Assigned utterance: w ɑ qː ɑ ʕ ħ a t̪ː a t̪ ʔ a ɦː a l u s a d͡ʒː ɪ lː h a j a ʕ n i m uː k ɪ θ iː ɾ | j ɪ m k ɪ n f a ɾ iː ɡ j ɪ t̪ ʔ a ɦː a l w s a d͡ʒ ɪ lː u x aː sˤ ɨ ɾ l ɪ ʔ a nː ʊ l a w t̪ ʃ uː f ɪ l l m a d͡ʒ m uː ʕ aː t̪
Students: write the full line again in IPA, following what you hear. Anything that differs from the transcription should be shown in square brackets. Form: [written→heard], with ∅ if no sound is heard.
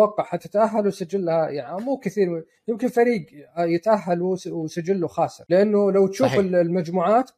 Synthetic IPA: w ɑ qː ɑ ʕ ħ a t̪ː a t̪ ʔ a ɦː a l [u→w] s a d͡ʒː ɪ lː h a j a ʕ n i m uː k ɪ θ iː ɾ | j ɪ m k ɪ n f a ɾ iː ɡ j ɪ t̪ ʔ a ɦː a l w s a d͡ʒ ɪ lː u x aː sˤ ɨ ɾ l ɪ ʔ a nː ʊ l a w t̪ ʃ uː f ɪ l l m a d͡ʒ m uː ʕ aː t̪